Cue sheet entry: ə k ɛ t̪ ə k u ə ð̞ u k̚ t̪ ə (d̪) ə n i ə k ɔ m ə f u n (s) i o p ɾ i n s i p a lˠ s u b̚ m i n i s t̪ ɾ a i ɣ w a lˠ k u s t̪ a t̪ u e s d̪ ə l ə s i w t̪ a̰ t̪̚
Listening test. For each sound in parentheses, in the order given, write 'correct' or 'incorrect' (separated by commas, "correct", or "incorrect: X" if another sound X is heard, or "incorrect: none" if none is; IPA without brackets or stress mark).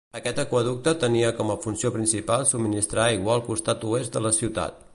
incorrect: t̪, correct